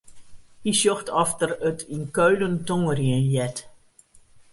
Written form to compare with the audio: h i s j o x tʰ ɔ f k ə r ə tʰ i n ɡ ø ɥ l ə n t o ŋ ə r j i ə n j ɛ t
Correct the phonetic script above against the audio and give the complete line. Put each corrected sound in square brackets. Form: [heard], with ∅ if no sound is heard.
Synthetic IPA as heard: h i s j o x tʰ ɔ f [t] ə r ə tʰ i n [k] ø ɥ l ə n t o ŋ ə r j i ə n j ɛ t